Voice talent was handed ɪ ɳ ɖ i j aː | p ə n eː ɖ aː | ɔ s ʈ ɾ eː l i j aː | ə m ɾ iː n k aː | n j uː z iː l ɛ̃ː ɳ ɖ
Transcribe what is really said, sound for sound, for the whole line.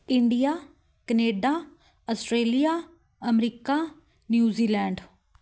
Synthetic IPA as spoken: ɪ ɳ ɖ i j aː | k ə n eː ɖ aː | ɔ s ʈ ɾ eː l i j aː | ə m ɾ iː k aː | n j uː z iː l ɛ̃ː ɳ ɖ